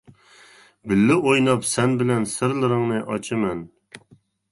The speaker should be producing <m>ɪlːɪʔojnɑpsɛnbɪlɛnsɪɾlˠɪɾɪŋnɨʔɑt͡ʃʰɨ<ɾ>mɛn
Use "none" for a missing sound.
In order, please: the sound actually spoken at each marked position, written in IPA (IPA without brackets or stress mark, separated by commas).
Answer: b, none